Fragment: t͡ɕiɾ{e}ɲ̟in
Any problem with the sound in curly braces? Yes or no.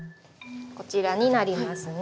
yes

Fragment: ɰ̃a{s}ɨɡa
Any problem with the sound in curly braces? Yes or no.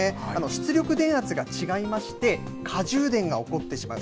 yes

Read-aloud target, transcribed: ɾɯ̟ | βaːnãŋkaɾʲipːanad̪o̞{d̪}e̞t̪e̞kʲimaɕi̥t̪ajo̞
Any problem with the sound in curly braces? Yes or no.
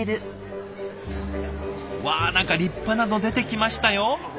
no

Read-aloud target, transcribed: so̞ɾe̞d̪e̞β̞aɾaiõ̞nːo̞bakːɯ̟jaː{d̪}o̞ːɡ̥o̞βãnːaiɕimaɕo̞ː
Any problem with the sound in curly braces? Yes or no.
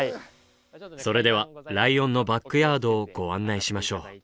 no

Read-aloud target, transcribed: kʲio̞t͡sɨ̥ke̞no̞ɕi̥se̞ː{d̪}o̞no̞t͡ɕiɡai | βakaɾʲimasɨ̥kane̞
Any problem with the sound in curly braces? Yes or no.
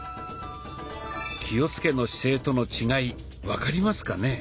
yes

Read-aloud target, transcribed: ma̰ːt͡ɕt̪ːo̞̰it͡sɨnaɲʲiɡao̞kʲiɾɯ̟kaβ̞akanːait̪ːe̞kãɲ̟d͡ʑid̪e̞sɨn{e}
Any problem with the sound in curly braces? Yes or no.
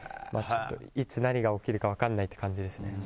no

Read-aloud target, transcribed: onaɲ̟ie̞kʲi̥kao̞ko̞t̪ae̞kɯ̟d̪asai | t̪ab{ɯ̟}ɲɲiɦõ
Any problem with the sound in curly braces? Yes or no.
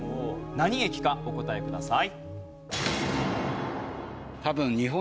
yes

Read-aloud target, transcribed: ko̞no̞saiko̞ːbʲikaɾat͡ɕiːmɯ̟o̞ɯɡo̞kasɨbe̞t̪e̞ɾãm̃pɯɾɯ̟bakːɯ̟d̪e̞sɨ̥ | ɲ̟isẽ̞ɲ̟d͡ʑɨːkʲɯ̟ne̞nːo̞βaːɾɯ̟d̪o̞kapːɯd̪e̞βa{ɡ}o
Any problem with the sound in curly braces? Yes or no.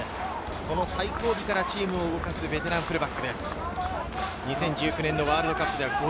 no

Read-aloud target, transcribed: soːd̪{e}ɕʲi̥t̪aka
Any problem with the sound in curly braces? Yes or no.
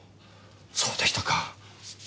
no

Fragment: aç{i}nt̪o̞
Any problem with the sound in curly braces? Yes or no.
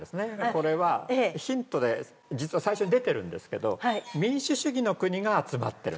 yes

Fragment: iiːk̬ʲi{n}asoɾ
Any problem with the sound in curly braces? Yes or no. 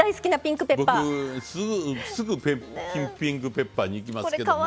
yes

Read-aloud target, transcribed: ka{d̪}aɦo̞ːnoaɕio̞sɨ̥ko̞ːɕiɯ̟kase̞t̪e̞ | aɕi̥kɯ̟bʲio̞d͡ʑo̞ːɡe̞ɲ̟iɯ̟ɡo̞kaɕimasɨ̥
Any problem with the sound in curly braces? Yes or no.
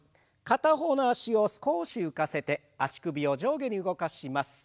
yes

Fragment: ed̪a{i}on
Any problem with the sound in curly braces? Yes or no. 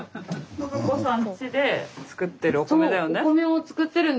yes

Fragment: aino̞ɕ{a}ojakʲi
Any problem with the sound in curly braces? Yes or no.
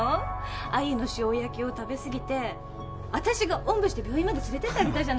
yes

